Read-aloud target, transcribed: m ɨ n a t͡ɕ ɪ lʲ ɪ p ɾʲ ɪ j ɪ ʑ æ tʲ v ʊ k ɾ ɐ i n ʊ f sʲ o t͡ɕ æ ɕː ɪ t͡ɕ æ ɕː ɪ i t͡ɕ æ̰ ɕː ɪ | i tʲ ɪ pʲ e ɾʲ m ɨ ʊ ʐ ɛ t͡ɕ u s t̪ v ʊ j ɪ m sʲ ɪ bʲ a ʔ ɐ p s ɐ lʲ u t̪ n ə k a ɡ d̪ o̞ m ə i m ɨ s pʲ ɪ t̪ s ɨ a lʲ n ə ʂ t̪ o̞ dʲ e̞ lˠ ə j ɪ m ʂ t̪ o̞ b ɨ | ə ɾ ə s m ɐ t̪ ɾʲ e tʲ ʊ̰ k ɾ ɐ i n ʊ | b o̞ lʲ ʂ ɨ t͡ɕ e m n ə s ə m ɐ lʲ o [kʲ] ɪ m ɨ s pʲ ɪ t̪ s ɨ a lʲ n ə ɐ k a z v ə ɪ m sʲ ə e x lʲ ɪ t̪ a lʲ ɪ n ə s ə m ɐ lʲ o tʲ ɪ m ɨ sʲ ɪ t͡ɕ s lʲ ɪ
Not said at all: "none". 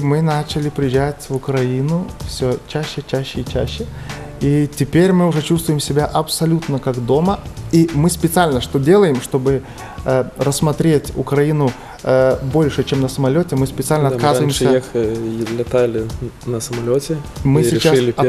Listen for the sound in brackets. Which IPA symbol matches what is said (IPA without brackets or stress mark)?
tʲ